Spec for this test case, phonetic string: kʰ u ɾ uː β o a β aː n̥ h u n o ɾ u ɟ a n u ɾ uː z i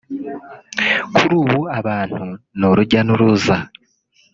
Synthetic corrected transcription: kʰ u ɾ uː β u a β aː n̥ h u n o ɾ u ɟ a n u ɾ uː z a